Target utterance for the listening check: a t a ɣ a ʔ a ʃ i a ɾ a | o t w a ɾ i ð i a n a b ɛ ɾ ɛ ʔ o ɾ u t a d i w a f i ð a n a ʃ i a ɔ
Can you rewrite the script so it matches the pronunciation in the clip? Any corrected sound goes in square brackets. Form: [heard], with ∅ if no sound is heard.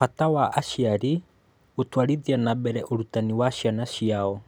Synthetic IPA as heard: a t a [w] a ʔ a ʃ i a ɾ [i] | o t w a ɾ i ð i a n a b ɛ ɾ ɛ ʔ o ɾ u t a [n] i w a [ʃ] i [∅] a n a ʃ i a ɔ

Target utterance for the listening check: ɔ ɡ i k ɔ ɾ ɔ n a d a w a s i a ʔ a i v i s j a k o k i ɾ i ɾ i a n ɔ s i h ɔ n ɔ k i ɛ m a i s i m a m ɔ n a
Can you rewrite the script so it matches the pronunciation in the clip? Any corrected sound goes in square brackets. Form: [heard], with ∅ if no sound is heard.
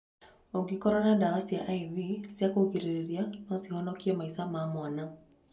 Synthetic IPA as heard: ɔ ɡ i k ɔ ɾ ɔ n a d a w a s i a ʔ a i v i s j a k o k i ɾ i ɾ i a n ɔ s i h ɔ n ɔ k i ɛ m a i s [a] m a m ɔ n a

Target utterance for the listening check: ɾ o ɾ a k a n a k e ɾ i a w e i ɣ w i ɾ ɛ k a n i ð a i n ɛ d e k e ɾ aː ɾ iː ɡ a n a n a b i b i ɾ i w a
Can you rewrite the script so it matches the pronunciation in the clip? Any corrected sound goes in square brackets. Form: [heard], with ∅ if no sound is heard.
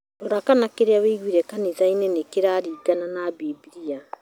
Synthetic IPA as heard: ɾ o ɾ a k a n a k e ɾ [e] a w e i ɣ w i ɾ ɛ k a n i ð a i n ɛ [n] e k e ɾ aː ɾ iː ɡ a n a n a b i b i ɾ i [∅] a

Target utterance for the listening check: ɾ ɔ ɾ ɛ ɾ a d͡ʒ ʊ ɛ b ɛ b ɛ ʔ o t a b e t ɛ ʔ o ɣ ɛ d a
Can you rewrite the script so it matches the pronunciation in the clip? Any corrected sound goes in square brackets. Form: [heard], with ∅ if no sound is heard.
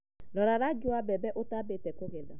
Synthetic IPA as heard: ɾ ɔ ɾ [a] ɾ a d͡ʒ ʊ [a] b ɛ b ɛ ʔ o t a b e t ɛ [k] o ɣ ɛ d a

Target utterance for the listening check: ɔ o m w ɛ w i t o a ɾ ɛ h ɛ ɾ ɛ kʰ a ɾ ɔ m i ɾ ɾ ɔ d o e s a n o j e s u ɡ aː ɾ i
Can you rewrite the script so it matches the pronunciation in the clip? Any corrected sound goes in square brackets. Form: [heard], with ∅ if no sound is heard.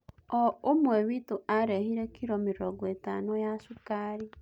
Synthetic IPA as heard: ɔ o m w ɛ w i t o a ɾ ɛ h [i] ɾ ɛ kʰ [i] ɾ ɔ m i ɾ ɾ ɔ [ɡ] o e [t] a n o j [a] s u [k] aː ɾ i

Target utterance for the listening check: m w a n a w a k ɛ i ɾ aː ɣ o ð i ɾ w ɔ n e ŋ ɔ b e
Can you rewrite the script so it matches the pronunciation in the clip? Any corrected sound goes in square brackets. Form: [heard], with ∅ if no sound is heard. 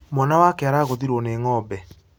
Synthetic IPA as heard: m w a n a w a k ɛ [a] ɾ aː ɣ o ð i ɾ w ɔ n e ŋ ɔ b [ɛ]

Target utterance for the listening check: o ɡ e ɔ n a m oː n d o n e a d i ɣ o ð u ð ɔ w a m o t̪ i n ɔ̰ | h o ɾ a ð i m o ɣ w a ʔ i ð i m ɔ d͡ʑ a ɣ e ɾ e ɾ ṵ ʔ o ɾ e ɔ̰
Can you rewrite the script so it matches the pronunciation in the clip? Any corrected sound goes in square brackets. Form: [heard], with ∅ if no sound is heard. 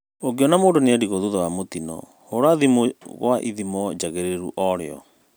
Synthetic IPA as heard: o ɡ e ɔ n a m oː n d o n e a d i ɣ o ð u ð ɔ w a m o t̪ i n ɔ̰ | h o ɾ a ð i m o ɣ w a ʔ i ð i m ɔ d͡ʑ a ɣ e ɾ e ɾ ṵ ʔ [ɔ] ɾ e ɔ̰

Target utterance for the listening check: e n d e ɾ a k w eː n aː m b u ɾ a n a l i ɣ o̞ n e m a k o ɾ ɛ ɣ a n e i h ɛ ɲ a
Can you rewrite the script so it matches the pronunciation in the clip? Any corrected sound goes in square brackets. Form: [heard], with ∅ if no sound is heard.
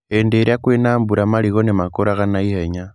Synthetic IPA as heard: e n d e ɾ a k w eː n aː m b u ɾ a [m] a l i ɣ o̞ n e m a k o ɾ [a] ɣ a n [a] i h [e] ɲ a

